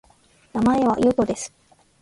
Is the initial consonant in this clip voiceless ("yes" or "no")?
no